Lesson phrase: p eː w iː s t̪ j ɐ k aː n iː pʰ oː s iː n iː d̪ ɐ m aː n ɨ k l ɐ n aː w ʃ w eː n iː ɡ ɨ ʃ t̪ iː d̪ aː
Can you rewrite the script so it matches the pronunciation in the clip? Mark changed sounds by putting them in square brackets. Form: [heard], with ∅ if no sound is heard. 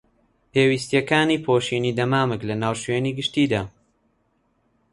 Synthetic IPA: p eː w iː s t̪ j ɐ k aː n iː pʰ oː [ʃ] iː n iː d̪ ɐ m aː [m] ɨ k l ɐ n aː w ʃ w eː n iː ɡ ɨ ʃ t̪ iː d̪ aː